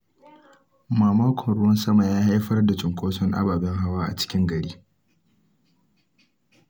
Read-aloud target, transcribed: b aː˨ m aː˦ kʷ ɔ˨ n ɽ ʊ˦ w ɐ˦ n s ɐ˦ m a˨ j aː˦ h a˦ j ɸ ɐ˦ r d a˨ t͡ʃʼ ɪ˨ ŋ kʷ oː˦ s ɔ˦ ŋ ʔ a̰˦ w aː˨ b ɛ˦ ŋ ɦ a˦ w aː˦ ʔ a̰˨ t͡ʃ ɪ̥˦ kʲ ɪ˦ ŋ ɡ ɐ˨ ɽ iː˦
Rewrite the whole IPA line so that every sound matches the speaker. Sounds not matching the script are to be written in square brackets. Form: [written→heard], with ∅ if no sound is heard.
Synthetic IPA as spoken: [b→m] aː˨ m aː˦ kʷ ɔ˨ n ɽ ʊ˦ w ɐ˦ n s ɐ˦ m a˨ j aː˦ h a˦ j ɸ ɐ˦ r d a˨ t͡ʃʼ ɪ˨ ŋ kʷ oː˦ s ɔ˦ ŋ ʔ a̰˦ [w→b] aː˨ b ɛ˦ ŋ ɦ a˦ w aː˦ ʔ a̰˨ t͡ʃ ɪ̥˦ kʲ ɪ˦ ŋ ɡ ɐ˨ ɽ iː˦